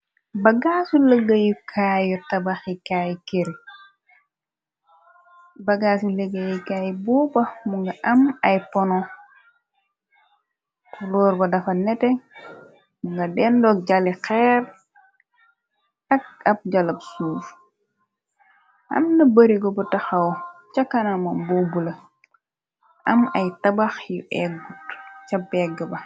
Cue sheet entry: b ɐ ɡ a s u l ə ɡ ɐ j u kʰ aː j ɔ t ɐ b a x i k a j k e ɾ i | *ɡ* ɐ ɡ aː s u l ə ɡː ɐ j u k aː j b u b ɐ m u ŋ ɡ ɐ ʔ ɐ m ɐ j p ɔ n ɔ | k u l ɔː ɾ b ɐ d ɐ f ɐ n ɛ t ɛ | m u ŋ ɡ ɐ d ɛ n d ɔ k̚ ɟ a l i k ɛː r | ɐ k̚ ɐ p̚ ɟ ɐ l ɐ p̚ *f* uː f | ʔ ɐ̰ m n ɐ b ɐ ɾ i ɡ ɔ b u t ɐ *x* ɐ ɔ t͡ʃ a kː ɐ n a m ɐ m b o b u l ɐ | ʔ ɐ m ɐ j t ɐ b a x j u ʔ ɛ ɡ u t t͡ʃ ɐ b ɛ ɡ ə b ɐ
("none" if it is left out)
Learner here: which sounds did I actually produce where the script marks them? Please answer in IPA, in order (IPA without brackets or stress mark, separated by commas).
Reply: b, s, x